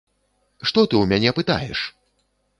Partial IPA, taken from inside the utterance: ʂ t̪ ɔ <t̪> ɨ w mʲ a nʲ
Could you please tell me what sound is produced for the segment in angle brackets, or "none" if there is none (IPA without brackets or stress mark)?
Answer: t̪